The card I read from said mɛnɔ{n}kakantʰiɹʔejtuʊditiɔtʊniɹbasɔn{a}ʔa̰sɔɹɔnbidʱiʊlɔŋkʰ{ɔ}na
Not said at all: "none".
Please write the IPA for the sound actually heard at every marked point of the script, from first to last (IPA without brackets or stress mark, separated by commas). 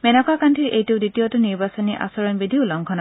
none, i, ɔ